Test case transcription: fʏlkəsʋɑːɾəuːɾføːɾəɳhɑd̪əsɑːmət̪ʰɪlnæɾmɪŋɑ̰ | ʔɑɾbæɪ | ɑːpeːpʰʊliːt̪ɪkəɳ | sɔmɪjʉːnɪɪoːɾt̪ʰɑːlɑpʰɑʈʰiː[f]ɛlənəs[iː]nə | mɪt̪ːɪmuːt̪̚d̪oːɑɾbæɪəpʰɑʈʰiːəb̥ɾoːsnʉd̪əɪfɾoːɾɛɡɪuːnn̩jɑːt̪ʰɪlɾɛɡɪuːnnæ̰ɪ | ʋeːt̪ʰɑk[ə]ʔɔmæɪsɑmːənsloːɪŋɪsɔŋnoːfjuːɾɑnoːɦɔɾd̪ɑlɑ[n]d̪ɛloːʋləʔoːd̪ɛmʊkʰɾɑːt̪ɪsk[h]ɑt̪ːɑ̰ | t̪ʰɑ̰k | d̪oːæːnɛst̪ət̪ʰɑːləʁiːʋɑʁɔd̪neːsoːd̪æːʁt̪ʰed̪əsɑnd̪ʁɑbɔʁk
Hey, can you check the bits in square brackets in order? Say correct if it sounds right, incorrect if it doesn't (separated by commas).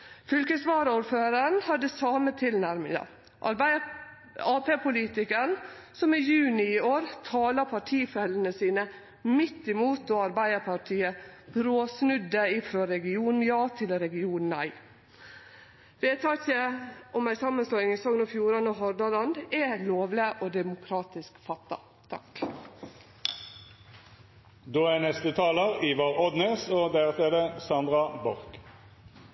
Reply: correct, correct, correct, correct, incorrect